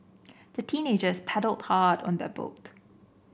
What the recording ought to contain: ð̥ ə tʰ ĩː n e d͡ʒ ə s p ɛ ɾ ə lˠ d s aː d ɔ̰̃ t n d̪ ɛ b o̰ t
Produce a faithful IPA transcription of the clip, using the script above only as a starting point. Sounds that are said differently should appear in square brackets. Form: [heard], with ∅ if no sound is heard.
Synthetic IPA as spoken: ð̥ ə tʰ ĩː n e d͡ʒ ə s [pʰ] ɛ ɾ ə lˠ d [h] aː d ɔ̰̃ [∅] n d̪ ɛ b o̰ t